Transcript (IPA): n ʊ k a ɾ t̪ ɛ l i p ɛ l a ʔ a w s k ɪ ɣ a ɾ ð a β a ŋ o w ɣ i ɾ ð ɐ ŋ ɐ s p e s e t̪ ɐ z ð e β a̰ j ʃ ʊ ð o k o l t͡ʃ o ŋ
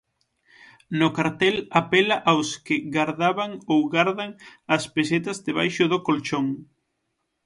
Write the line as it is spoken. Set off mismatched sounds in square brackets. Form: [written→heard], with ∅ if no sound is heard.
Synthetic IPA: n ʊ k a ɾ t̪ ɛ l [i→a] p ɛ l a ʔ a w s k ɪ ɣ a ɾ ð a β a ŋ o w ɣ [i→a] ɾ ð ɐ ŋ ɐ s p e s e t̪ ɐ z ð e β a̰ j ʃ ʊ ð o k o l t͡ʃ o ŋ